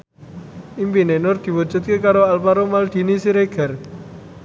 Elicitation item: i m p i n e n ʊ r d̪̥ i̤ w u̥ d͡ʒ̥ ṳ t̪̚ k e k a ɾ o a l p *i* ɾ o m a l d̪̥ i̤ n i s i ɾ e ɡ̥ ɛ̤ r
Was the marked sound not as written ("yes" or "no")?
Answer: yes